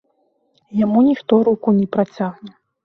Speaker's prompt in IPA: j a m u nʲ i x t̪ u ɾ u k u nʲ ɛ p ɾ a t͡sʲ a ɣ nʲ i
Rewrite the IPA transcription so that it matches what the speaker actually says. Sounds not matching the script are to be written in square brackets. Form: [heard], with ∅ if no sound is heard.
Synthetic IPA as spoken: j a m u nʲ i x t̪ [ɔ] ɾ u k u nʲ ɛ p ɾ a t͡sʲ a ɣ nʲ [ɛ]